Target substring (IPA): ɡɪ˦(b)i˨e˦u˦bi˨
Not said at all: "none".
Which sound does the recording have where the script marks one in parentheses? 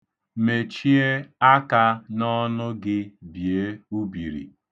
b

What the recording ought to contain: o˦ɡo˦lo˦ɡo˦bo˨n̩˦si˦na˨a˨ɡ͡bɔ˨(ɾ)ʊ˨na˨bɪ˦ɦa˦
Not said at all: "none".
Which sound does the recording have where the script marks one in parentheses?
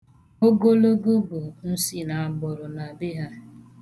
ɾ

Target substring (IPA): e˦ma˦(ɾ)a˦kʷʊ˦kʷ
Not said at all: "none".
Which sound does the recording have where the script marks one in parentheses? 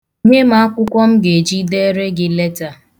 none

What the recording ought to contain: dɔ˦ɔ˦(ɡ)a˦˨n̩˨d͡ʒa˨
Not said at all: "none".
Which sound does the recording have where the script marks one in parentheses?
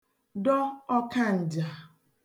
k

